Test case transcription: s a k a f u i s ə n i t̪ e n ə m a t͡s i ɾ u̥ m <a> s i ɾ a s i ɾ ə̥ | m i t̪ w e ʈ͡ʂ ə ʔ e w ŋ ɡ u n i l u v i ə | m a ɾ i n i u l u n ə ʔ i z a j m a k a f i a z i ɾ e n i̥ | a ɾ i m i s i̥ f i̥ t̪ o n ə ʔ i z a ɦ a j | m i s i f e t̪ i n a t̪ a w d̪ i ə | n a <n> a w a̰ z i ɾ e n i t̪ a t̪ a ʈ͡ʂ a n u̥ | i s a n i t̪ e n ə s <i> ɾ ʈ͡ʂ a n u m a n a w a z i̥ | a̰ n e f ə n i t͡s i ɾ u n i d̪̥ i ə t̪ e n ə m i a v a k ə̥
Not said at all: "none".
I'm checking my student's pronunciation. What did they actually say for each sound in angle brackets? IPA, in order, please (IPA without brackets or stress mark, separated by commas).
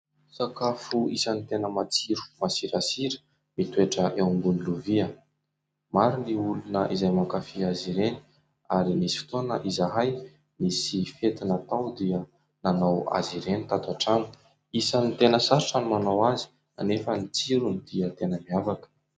a, n, a